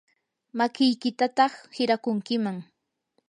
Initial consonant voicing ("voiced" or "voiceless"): voiced